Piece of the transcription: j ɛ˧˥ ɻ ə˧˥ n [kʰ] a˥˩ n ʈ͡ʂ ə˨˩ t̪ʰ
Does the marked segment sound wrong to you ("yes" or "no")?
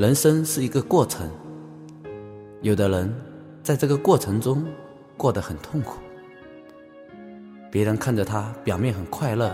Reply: no